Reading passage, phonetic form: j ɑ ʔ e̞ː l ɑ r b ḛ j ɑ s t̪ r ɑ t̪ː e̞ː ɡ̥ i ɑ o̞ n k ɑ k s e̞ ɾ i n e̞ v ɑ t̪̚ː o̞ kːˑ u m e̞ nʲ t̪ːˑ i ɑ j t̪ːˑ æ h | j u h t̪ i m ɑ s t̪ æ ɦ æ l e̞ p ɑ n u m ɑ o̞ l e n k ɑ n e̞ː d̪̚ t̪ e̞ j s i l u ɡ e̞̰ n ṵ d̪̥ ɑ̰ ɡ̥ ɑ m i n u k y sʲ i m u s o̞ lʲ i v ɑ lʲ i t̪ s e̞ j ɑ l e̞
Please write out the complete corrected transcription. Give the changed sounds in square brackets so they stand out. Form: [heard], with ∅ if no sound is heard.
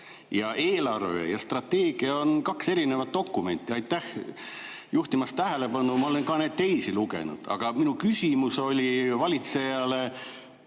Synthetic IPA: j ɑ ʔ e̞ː l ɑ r [v] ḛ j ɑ s t̪ r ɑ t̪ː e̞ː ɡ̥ i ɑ o̞ n k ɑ k s e̞ ɾ i n e̞ v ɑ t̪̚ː o̞ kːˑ u m e̞ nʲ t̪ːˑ i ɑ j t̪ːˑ æ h | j u h t̪ i m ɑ s t̪ æ ɦ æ l e̞ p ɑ n u m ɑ o̞ l e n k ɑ n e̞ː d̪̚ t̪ e̞ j s i l u ɡ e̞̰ n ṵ d̪̥ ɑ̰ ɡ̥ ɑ m i n u k y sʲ i m u s o̞ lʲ i v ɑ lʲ i t̪ s e̞ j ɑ l e̞